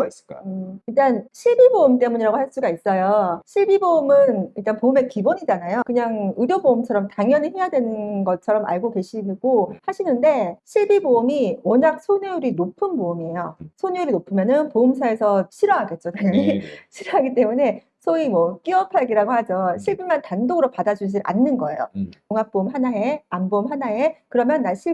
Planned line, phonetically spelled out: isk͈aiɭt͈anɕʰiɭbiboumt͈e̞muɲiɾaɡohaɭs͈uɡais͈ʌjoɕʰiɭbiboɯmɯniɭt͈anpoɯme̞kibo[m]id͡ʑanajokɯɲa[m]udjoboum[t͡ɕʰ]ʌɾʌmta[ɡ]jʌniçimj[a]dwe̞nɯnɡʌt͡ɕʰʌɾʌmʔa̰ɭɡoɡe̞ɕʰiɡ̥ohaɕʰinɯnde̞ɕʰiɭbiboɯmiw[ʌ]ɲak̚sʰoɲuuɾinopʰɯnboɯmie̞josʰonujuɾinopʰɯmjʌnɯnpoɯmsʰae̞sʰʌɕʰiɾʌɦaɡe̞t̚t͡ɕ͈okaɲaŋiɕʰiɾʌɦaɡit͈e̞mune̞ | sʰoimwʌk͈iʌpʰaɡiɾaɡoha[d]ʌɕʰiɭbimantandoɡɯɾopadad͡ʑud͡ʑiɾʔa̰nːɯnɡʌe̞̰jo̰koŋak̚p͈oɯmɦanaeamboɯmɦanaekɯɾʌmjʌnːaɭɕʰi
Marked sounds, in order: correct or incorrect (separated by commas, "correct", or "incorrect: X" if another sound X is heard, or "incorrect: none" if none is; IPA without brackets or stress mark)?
incorrect: ɲ, incorrect: ŋ, correct, incorrect: ŋ, correct, correct, incorrect: d͡ʑ